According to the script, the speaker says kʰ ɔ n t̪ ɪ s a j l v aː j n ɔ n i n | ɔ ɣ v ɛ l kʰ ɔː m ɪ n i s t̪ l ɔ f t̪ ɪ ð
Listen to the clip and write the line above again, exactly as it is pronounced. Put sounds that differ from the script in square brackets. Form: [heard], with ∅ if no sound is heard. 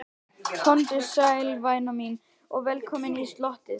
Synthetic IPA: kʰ ɔ n t̪ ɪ s a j l v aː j n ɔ [m] i n | ɔ ɣ v ɛ l kʰ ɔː m ɪ n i s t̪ l ɔ [h] t̪ ɪ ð